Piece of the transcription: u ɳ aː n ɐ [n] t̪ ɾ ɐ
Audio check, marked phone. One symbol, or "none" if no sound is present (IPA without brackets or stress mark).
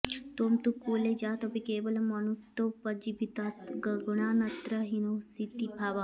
none